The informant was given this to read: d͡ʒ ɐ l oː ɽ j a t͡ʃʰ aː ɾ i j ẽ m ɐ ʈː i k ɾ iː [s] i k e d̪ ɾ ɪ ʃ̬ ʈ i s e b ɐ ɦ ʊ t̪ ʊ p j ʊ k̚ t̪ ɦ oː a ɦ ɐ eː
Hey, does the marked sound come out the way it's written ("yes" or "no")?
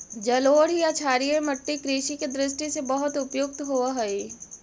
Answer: no